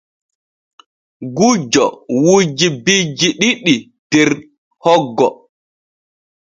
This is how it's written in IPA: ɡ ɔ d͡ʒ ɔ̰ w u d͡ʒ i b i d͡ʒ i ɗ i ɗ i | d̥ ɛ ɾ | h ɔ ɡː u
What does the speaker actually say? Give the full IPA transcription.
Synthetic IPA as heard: ɡ u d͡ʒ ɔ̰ w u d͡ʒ i b i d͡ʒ i ɗ i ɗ i | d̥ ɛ ɾ | h ɔ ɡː ɔ